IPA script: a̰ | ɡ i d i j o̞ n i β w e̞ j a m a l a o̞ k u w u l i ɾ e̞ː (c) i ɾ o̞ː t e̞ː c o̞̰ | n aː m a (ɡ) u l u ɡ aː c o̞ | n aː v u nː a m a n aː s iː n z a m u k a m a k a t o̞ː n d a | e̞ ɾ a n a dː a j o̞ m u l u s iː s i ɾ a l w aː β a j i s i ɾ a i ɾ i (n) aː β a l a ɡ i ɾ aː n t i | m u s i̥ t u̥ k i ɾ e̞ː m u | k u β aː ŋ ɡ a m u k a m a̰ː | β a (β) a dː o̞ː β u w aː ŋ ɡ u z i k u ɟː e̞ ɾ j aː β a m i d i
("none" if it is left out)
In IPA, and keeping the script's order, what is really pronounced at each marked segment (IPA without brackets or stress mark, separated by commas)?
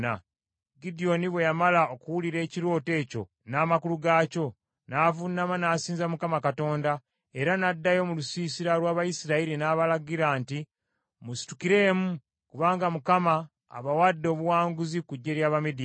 c, k, n, w